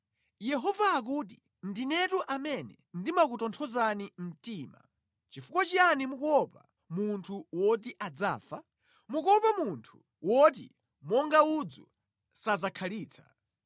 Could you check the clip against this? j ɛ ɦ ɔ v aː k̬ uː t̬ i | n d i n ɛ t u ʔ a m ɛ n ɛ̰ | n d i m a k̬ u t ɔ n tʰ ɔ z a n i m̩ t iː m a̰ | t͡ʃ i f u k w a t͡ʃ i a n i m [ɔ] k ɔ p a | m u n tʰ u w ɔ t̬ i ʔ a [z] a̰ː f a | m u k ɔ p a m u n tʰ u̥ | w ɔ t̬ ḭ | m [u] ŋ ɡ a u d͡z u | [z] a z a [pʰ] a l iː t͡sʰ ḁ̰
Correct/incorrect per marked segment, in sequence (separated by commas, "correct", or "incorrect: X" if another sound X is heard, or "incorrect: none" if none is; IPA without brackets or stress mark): incorrect: u, incorrect: d͡z, incorrect: ɔ, incorrect: s, incorrect: kʰ